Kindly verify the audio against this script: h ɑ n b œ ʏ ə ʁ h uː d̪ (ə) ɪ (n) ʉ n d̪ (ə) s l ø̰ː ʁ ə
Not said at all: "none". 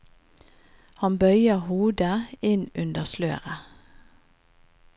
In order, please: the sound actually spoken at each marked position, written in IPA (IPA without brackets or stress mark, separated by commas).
ə, n, ə